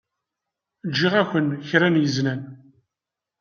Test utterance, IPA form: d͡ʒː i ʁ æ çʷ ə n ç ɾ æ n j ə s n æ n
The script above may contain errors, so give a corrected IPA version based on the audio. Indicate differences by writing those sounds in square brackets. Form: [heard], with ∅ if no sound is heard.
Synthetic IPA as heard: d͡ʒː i ʁ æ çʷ ə n ç ɾ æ n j ə [z] n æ n